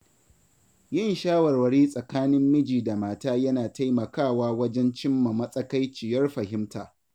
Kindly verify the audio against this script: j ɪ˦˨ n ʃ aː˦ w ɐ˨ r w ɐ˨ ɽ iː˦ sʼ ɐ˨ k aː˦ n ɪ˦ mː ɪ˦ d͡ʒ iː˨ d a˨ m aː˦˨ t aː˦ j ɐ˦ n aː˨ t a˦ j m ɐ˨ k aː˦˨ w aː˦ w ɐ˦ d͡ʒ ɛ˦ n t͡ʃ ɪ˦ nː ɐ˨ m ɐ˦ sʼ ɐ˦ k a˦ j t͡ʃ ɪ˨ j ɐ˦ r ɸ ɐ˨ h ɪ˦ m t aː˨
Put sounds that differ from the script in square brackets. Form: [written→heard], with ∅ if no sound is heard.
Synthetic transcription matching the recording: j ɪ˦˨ n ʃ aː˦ w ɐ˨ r w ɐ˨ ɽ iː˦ sʼ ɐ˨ k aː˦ n ɪ˦ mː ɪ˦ d͡ʒ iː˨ d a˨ m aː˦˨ t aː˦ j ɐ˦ n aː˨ t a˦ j m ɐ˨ k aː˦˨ w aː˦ w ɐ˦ d͡ʒ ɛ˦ n t͡ʃ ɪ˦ [nː→mː] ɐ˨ m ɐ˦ sʼ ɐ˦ k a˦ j t͡ʃ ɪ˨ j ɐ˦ r ɸ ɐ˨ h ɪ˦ m t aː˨